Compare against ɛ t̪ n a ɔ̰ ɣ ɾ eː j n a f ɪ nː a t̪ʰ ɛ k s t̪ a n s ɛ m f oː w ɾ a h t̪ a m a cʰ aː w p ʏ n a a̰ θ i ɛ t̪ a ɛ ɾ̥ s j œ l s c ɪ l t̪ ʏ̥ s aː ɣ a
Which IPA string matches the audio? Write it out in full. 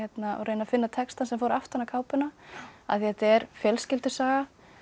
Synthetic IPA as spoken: ɛ t̪ n a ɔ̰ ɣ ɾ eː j n a f ɪ nː a t̪ʰ ɛ k s t̪ a n s ɛ m f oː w ɾ a f t̪ a n a kʰ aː w p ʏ n a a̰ θ i ɛ t̪ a ɛ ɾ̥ f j œ l s c ɪ l t̪ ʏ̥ s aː ɣ a